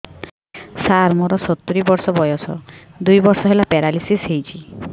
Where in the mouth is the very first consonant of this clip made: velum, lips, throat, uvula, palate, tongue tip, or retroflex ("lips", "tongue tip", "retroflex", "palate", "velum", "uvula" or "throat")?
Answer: tongue tip